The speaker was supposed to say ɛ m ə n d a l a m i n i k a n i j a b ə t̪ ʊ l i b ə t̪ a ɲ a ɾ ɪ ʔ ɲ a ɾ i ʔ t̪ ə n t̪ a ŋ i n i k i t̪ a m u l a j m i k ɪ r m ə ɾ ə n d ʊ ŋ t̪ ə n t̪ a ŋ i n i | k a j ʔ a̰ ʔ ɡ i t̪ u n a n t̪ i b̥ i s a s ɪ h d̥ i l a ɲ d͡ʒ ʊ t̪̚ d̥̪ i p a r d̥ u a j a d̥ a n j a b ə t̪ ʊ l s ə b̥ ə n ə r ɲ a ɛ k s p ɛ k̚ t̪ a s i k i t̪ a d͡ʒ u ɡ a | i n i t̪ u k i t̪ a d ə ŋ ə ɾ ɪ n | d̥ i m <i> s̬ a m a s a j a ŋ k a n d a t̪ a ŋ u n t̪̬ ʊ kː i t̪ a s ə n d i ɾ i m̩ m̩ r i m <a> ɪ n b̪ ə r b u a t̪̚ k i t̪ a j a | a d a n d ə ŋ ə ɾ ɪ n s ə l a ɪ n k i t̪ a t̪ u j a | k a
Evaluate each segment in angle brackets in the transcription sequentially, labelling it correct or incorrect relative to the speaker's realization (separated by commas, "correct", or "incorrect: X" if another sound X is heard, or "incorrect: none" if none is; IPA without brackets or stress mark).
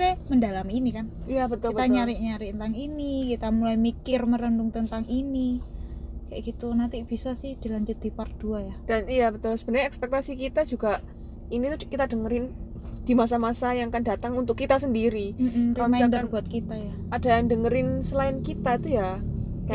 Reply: incorrect: a, correct